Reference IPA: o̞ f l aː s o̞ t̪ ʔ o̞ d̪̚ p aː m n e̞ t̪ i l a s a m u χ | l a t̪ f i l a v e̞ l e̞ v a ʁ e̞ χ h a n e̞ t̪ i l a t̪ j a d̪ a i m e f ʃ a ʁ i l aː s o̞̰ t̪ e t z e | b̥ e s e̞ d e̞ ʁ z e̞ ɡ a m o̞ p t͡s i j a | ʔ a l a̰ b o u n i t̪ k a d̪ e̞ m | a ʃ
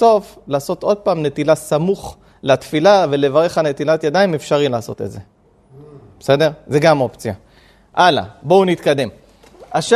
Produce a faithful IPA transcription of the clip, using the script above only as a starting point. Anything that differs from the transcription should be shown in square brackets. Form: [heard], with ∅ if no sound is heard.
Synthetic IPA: o̞ f l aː s o̞ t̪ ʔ o̞ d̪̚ p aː m n e̞ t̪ i l a s a m u χ | l a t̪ f i l a v e̞ l e̞ v a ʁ e̞ χ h a n e̞ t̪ i l a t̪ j a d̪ a i m e f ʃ a ʁ i l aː s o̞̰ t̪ e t z e | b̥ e s e̞ d e̞ ʁ z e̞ ɡ a m o̞ p t͡s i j a | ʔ a l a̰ b o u n i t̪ k a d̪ e̞ m | a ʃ